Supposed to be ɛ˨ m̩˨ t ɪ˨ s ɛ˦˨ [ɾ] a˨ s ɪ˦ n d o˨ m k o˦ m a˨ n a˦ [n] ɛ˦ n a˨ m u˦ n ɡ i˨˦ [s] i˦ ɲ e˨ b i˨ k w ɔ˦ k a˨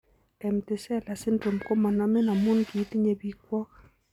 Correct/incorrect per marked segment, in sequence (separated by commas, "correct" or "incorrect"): incorrect, incorrect, incorrect